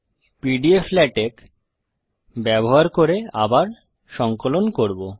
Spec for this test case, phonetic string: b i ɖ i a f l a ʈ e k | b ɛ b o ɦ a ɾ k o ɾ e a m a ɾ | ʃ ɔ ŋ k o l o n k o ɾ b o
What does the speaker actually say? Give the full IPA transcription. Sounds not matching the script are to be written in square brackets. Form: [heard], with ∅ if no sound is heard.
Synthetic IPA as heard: [p] i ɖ i [e] f l [ɛ] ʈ e k | b ɛ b o ɦ a ɾ k o ɾ e a [b] a ɾ | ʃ ɔ ŋ k o l o n k o ɾ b o